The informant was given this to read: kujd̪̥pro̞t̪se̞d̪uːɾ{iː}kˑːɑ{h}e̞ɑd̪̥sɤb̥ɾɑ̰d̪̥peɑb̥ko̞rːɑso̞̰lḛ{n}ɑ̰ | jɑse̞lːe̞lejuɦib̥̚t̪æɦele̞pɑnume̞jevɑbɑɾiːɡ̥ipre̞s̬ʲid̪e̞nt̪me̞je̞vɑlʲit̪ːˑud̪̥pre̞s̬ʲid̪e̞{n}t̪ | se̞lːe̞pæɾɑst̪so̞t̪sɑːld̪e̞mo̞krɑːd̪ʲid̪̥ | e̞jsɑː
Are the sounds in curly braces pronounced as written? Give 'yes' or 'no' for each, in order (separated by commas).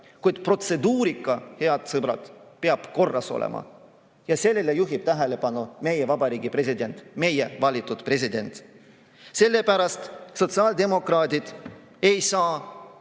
no, yes, no, yes